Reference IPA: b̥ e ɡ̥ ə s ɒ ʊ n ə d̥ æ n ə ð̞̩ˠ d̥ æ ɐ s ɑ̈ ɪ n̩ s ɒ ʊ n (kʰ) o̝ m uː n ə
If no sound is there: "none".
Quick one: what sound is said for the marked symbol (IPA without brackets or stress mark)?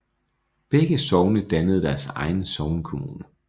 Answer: kʰ